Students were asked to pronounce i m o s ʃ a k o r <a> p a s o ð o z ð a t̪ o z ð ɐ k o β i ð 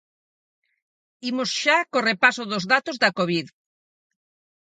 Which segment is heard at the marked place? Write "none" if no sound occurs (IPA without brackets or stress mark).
e